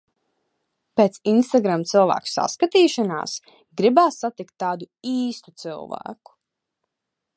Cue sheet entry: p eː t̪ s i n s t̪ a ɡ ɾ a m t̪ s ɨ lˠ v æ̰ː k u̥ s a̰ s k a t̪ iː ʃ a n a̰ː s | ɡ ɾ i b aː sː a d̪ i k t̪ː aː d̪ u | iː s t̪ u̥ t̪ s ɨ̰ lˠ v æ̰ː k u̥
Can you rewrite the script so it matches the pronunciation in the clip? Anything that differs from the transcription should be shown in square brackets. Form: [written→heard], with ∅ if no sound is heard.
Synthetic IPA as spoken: p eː t̪ s i n s t̪ a ɡ ɾ a m t̪ s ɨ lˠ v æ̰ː k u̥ s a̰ s k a t̪ iː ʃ a n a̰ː s | ɡ ɾ i b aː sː a [d̪→t̪] i k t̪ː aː d̪ u | iː s t̪ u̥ t̪ s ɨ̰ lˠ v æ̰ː k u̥

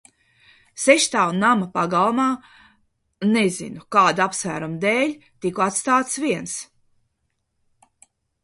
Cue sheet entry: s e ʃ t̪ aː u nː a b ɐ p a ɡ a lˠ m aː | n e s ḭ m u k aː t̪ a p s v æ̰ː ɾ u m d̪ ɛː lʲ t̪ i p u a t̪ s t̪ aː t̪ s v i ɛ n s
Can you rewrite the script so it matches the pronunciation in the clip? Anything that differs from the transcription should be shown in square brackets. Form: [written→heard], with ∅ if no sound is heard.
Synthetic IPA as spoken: s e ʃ t̪ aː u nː a [b→m] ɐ p a ɡ a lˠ m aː | n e [s→z] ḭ [m→n] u k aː [t̪→d̪] a p s v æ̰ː ɾ u m d̪ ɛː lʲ t̪ i [p→k] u a t̪ s t̪ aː t̪ s v i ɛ n s

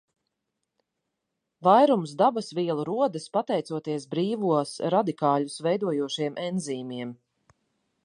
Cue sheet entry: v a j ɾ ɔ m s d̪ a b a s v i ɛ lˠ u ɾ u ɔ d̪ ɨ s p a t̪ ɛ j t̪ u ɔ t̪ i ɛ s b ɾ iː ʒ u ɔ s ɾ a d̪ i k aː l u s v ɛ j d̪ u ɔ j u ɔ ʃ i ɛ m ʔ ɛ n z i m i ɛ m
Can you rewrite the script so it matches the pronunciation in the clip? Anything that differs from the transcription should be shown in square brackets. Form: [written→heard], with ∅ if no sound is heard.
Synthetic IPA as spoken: v a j ɾ [ɔ→u] m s d̪ a b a s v i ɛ lˠ u ɾ u ɔ d̪ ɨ s p a t̪ ɛ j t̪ u ɔ t̪ i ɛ s b ɾ iː [ʒ→v] u ɔ s ɾ a d̪ i k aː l u s v ɛ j d̪ u ɔ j u ɔ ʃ i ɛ m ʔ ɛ n z [i→iː] m i ɛ m

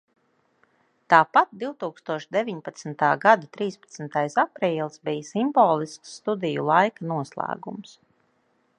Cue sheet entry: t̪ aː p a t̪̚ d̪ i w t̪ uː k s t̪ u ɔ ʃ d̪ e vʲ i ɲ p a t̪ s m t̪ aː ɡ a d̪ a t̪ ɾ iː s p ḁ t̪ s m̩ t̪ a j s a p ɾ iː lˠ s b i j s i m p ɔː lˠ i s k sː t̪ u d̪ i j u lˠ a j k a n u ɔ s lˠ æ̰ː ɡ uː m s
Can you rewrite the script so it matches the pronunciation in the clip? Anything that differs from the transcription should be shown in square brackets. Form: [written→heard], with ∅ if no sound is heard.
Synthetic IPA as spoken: t̪ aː p a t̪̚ d̪ i w t̪ uː k s t̪ u ɔ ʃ d̪ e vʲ i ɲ p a t̪ s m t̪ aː ɡ a d̪ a t̪ ɾ iː s p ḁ t̪ s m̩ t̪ a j s a p ɾ iː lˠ s b i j s i m [p→b] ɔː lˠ i s k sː t̪ u d̪ i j u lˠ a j k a n u ɔ s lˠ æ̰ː ɡ [uː→u] m s

